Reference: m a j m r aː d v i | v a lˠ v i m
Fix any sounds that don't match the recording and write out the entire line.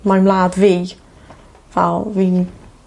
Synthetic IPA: m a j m l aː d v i | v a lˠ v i n